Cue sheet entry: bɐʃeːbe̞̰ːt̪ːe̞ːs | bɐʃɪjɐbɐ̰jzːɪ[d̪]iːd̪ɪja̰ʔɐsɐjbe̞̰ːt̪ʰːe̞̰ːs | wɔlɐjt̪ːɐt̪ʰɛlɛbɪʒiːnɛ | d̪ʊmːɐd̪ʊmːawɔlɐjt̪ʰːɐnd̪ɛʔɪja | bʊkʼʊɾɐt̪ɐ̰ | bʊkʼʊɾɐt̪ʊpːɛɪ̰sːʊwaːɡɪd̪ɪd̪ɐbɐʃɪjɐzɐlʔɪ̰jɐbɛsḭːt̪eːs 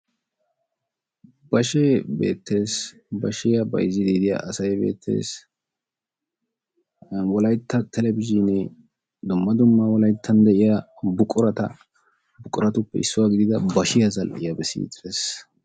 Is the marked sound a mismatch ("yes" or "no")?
no